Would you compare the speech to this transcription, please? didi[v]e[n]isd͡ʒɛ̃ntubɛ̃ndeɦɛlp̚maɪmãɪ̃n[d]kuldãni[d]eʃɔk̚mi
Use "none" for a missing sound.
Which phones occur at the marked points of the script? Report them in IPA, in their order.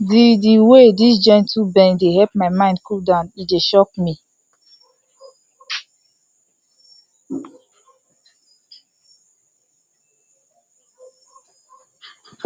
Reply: w, d, d, d

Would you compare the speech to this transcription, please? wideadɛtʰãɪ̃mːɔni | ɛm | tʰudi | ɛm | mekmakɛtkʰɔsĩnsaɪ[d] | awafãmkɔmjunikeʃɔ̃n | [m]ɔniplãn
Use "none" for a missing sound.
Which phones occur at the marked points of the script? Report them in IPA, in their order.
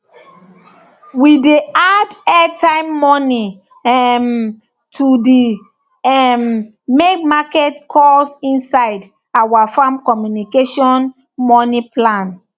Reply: d, m

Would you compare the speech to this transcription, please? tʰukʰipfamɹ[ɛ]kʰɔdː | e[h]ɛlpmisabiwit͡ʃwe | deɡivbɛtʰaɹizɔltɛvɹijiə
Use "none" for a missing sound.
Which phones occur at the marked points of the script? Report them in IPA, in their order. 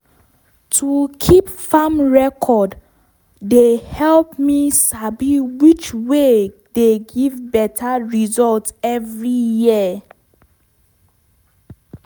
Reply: ɛ, h

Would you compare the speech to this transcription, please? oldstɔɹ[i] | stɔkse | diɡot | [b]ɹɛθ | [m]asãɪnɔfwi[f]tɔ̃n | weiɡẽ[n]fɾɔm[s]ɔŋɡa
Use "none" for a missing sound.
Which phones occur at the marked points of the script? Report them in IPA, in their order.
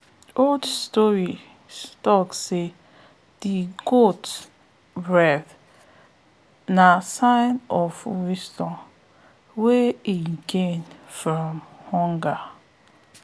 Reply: i, b, n, s, n, h

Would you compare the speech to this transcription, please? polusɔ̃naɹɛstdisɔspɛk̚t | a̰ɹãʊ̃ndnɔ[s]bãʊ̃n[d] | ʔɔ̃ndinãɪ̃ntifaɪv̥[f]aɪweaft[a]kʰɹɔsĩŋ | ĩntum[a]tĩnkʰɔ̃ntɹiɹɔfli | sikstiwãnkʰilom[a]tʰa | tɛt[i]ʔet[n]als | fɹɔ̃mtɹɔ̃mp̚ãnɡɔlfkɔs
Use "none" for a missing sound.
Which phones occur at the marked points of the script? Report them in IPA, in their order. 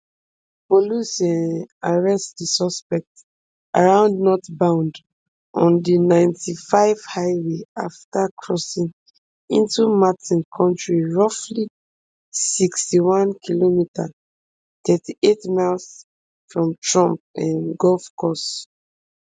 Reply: t, d, h, a, a, i, i, m

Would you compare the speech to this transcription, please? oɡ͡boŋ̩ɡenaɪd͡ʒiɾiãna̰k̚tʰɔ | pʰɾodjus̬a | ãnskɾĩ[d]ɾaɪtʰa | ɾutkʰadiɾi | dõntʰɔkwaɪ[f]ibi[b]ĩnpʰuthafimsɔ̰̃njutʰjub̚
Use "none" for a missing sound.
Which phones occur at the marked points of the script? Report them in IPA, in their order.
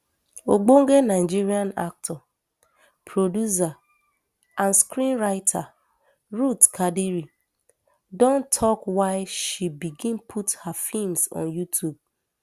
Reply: n, ʃ, ɡ

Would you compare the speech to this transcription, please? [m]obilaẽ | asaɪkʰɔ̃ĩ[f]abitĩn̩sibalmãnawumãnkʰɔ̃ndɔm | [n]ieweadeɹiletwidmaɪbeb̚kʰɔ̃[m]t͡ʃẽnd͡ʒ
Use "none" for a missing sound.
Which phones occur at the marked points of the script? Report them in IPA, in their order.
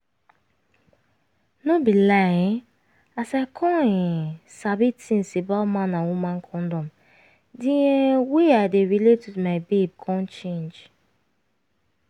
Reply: n, s, d, n

